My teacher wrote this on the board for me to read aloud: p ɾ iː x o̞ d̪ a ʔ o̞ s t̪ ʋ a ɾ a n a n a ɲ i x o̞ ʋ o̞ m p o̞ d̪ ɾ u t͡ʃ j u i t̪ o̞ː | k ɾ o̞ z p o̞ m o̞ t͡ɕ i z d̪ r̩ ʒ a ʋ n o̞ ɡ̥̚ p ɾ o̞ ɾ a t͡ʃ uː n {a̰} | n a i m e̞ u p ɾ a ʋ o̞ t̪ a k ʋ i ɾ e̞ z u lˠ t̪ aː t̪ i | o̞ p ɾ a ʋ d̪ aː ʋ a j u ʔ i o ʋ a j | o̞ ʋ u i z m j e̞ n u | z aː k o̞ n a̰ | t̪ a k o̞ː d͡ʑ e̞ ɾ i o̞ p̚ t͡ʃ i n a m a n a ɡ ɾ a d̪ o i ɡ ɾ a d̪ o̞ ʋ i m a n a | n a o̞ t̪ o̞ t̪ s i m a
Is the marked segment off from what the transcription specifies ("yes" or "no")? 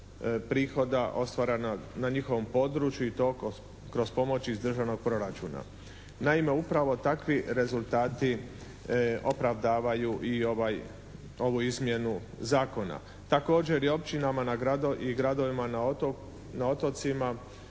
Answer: no